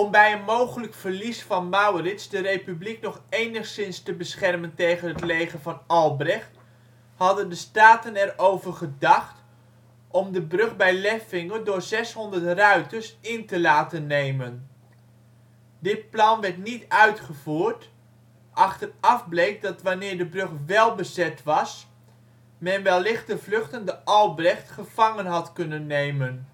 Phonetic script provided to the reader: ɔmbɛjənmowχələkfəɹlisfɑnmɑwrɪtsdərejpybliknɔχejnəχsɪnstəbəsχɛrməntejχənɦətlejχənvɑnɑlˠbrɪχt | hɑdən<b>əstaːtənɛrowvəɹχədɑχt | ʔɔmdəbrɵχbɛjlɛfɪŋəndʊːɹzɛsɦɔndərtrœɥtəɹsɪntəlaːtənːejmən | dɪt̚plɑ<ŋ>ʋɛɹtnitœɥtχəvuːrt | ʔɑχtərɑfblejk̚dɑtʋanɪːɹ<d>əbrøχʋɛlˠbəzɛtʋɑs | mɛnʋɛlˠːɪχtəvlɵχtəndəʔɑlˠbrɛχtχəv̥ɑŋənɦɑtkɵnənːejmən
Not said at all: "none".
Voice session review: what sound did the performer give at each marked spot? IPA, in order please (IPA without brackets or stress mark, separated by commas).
d, n, d